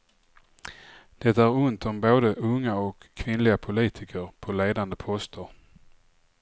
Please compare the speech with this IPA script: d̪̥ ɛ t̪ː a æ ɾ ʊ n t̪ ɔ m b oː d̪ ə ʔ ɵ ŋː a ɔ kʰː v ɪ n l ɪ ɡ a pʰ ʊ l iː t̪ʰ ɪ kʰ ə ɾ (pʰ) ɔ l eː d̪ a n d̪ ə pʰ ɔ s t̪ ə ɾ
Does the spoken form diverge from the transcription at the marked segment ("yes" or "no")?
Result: no